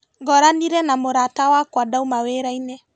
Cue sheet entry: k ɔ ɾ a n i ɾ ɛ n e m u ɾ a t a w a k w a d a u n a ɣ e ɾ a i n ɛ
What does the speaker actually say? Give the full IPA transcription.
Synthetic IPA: ɡ ɔ ɾ a n i ɾ ɛ n a m o ɾ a t a w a k w a d a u m a w e ɾ a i n ɛ